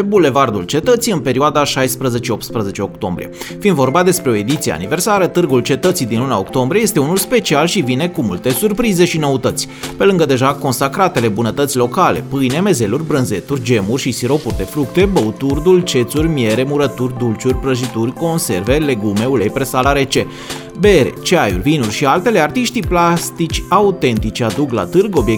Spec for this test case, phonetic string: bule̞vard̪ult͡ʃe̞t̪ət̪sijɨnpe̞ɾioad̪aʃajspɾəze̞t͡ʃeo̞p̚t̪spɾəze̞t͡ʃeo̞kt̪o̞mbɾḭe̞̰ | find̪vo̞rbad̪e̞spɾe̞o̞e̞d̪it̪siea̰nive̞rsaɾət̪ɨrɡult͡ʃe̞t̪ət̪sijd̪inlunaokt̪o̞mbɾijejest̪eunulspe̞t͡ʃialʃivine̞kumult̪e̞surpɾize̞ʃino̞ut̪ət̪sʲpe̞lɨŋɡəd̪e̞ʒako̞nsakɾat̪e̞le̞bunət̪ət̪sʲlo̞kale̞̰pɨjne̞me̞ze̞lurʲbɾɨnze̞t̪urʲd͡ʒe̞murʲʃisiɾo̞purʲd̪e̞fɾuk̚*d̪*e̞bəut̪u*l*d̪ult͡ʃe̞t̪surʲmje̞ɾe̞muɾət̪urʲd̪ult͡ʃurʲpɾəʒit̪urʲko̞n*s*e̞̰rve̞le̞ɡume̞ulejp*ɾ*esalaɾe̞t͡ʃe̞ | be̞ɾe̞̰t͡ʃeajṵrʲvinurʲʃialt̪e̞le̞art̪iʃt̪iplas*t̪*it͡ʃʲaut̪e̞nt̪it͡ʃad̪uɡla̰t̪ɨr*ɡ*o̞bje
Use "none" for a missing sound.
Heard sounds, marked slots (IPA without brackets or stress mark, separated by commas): t̪, r, s, ɾ, t̪, ɡ